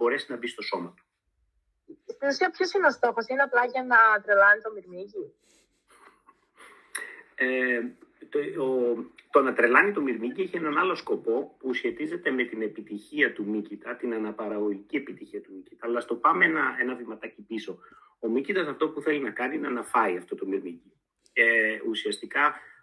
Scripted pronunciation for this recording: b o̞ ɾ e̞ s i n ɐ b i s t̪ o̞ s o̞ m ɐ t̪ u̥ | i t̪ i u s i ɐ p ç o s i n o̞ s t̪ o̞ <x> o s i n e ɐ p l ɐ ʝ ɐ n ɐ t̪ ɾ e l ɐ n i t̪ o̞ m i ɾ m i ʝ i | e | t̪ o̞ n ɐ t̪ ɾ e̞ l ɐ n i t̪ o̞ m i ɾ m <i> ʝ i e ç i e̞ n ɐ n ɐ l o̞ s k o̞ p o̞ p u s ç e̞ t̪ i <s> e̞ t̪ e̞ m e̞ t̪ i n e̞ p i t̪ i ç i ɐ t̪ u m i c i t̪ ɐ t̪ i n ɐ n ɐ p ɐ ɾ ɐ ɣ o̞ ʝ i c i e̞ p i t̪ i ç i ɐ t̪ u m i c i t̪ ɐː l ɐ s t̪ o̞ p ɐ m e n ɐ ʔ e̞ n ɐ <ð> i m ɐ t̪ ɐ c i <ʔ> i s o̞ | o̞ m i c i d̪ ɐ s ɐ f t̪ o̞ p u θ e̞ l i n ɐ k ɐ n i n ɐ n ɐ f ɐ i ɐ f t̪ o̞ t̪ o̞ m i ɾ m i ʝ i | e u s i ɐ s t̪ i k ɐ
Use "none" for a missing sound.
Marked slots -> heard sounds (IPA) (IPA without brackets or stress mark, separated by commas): x, i, z, v, p